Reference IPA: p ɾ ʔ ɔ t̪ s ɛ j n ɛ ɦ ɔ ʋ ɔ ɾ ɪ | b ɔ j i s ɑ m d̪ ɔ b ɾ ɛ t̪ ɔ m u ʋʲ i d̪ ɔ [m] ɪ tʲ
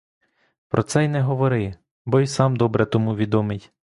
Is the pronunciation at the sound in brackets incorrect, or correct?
correct